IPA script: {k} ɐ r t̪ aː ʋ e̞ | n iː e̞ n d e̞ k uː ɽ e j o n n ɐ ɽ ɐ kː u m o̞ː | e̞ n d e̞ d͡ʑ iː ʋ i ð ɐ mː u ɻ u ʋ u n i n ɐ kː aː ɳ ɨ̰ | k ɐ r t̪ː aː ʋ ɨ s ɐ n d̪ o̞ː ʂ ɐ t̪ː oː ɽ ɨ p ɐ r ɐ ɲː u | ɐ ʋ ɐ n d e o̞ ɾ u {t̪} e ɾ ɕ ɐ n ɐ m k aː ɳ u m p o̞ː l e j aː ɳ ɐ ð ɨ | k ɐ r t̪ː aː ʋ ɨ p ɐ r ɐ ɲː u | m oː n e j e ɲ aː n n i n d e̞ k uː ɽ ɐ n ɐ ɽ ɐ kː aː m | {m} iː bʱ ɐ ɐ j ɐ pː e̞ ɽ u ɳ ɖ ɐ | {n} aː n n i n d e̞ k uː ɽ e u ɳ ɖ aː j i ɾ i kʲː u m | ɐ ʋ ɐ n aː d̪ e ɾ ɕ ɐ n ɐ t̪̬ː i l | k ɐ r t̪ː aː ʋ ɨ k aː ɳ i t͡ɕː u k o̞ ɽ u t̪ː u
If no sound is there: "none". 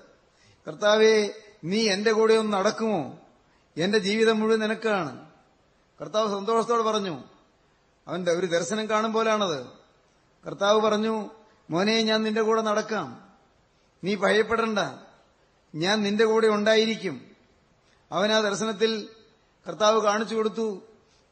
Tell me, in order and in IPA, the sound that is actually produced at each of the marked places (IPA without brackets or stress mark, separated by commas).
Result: k, d̪, n, ɲ